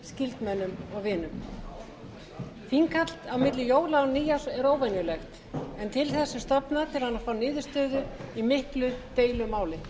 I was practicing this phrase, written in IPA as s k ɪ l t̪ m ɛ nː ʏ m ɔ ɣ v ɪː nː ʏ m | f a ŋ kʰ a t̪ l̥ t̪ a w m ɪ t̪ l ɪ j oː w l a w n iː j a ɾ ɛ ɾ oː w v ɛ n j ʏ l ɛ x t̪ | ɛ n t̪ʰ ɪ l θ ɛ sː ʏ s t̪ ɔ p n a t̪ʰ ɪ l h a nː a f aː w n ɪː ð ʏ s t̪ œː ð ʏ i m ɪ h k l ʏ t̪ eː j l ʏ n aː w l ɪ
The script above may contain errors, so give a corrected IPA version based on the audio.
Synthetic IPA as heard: s c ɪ l t̪ m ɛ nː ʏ m ɔ ɣ v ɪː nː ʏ m | f i ŋ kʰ a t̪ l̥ t̪ a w m ɪ t̪ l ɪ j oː w l a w n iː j a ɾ ɛ ɾ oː w v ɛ n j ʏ l ɛ x t̪ | ɛ n t̪ʰ ɪ l θ ɛ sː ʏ s t̪ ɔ p n a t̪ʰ ɪ l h a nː a f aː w n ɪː ð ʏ s t̪ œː ð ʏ i m ɪ h k l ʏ t̪ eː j l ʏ m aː w l ɪ